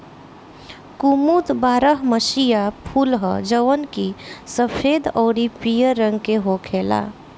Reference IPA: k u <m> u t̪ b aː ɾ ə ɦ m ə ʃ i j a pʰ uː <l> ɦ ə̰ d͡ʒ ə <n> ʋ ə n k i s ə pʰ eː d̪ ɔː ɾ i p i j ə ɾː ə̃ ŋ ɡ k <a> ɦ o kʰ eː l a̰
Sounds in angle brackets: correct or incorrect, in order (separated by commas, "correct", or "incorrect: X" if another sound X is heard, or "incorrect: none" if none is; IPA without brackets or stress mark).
correct, correct, incorrect: none, incorrect: e